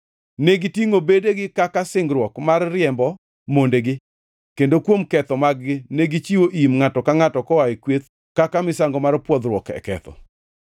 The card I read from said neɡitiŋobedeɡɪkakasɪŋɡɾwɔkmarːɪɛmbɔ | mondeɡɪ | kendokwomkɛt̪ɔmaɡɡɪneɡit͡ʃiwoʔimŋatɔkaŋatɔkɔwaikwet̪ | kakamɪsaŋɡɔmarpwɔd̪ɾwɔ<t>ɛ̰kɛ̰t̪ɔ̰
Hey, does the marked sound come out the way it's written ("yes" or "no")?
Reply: no